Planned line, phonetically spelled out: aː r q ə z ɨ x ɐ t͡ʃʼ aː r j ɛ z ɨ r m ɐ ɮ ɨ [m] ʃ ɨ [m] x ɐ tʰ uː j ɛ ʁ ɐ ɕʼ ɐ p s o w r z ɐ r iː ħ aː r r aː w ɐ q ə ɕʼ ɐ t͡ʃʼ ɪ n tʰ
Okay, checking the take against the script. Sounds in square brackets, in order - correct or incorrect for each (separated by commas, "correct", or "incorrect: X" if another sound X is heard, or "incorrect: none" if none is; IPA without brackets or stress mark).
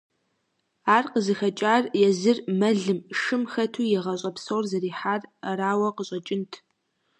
correct, correct